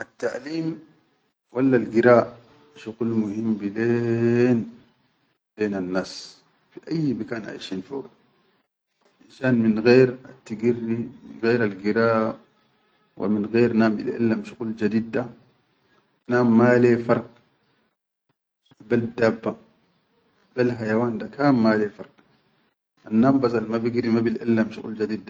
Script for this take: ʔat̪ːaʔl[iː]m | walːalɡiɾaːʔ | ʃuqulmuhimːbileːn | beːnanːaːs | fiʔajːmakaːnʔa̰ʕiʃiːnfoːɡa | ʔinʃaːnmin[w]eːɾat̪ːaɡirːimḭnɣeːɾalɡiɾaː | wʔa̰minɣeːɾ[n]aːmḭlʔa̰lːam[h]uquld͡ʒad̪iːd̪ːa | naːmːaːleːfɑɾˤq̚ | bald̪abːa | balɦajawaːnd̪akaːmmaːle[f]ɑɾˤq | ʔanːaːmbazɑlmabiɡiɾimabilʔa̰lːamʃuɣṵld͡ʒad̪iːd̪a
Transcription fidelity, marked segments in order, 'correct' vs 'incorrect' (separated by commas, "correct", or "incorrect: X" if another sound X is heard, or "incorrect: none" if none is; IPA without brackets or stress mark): correct, incorrect: ɣ, correct, incorrect: ʃ, correct